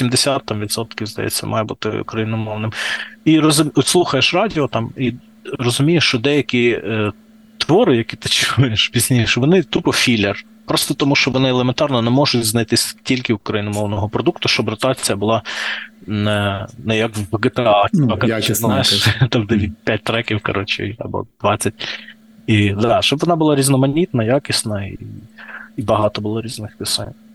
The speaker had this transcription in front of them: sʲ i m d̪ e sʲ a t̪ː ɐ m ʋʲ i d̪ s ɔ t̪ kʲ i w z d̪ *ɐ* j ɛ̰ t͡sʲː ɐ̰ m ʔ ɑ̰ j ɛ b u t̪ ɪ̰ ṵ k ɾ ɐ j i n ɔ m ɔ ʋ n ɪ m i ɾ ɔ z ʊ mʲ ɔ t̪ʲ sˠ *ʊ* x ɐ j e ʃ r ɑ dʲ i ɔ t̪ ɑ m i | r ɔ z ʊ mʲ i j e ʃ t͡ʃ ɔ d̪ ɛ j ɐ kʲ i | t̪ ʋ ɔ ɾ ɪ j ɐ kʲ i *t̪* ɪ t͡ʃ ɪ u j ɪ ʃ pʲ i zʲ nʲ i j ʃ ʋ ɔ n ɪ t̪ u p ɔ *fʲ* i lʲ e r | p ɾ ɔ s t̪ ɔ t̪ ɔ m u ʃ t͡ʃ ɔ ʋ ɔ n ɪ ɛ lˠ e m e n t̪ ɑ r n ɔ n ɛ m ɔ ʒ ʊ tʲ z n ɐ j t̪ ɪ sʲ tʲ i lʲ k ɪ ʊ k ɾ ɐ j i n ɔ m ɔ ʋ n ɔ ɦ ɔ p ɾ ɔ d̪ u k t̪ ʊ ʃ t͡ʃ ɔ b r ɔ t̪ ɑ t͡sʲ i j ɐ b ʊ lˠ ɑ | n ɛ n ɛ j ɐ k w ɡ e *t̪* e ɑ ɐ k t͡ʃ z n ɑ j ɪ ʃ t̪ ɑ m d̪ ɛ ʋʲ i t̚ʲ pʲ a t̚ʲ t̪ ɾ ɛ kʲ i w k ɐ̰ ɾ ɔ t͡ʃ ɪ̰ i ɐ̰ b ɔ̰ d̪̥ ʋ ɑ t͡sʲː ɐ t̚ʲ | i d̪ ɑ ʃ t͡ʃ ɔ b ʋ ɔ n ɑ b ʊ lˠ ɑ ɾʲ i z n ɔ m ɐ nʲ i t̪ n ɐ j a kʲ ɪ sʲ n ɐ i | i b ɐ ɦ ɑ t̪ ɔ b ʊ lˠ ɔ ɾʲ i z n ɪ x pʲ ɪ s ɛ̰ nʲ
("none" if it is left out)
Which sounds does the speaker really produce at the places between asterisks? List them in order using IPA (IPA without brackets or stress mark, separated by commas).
ɐ, u, t̪, fʲ, t̪